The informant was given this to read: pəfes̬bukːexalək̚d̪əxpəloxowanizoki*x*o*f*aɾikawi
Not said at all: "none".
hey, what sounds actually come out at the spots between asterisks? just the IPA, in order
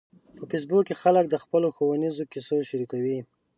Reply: s, ʃ

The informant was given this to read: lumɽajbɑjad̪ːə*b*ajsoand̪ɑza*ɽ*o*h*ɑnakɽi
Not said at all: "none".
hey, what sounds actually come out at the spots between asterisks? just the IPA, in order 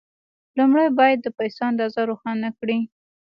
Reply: p, ɾ, x

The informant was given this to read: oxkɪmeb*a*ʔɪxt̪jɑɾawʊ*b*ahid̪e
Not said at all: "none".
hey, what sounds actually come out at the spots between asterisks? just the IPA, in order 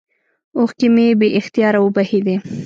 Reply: e, b

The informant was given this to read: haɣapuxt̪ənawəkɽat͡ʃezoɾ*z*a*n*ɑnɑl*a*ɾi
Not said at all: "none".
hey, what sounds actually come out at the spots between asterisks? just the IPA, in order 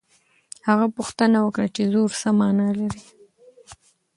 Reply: s, m, a

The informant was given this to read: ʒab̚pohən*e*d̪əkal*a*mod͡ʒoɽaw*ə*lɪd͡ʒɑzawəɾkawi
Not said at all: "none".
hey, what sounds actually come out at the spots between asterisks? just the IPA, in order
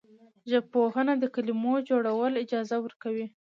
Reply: a, i, ə

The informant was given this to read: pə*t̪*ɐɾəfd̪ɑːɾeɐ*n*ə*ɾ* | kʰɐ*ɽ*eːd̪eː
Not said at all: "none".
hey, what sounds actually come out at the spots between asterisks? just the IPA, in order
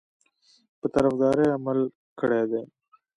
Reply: t̪, m, l, ɽ

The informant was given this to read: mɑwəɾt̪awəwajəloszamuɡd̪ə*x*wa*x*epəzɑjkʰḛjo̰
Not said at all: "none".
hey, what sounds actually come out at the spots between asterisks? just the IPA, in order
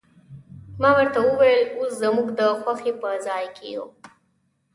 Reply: x, x

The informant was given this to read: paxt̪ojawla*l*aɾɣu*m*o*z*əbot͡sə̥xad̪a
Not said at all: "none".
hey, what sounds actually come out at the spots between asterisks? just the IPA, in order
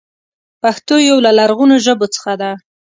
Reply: l, n, ʒ

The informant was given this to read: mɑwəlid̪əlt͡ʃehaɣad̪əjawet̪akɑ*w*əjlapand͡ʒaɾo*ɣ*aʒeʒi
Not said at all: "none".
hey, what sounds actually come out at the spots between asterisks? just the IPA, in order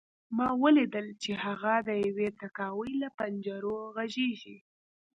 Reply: w, ɣ

